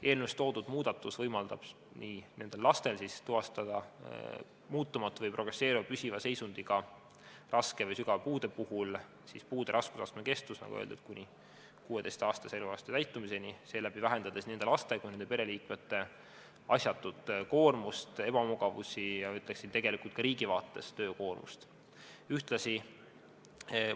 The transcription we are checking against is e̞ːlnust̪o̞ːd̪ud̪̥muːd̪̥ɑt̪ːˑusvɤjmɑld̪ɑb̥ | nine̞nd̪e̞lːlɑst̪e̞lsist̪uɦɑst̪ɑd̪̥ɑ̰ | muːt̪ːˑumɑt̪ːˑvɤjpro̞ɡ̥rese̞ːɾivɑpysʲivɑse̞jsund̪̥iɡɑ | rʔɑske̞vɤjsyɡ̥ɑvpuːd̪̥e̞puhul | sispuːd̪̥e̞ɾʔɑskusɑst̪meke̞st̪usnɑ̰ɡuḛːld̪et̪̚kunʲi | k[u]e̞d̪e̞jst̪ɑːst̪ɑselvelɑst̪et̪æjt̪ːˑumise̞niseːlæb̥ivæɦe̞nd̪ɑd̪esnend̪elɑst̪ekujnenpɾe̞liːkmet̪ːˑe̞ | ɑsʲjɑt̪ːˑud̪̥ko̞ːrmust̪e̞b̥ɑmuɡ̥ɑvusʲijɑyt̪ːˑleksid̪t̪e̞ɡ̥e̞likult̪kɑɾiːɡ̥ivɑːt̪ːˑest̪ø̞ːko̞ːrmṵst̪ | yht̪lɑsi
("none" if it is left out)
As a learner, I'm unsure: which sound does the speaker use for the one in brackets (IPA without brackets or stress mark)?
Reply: uː